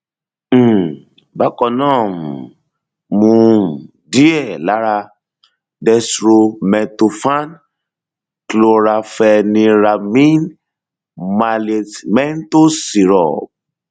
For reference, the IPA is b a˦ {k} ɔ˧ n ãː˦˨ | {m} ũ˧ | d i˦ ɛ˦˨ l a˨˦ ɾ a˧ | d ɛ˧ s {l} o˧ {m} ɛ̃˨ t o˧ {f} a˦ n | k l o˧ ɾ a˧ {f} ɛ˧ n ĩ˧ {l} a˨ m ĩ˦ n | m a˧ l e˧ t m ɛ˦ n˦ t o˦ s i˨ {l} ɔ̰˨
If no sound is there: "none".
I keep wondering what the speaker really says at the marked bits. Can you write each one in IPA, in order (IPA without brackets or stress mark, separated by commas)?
k, m, ɾ, m, f, f, ɾ, ɾ